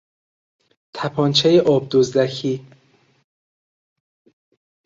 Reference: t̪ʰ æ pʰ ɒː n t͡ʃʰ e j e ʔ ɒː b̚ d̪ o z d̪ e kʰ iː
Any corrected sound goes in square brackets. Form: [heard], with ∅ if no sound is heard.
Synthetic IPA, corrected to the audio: t̪ʰ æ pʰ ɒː n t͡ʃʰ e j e ʔ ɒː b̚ d̪ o z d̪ [æ] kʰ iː